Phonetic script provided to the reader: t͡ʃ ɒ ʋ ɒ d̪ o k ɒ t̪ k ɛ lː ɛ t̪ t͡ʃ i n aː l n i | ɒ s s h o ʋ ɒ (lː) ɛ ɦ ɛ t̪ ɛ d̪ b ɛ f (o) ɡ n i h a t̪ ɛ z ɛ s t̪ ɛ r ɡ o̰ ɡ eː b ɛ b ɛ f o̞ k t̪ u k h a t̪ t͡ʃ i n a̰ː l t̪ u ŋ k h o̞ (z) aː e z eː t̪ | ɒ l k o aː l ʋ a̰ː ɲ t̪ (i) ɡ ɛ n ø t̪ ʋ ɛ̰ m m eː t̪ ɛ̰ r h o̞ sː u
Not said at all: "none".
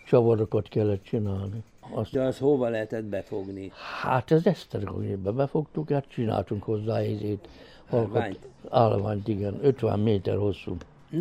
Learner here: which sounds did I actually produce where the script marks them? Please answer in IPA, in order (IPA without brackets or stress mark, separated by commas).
l, o, zː, i